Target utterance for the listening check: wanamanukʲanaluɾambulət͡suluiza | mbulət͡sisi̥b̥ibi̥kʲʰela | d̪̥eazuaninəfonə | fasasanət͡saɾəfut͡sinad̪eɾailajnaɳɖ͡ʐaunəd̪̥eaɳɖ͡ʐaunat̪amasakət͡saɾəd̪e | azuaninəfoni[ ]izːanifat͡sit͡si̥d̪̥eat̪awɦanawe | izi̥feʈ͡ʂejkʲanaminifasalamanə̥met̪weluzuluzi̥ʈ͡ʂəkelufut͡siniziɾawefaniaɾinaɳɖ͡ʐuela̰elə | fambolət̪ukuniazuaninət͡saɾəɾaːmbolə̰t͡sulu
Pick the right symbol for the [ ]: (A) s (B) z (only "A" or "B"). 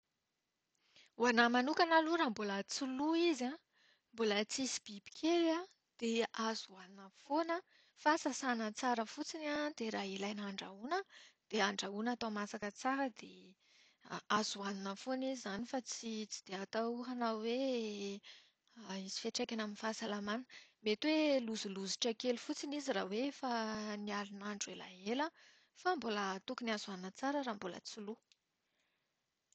B